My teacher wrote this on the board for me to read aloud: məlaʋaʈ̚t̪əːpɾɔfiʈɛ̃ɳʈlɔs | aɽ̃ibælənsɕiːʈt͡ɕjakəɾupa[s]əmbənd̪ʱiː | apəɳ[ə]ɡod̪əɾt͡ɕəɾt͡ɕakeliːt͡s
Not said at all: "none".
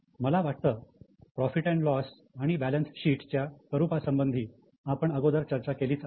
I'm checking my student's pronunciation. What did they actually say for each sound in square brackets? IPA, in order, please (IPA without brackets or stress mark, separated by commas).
s, ə